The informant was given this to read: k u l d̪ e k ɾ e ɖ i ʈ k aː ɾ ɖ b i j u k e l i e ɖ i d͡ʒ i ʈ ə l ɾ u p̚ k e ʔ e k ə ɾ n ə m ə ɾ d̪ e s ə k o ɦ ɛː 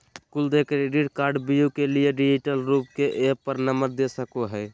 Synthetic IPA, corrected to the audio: k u l d̪ e k ɾ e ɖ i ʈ k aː ɾ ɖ b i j u k e l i e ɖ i d͡ʒ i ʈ ə l ɾ u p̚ k e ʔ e p ə ɾ n ə m ə ɾ d̪ e s ə k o ɦ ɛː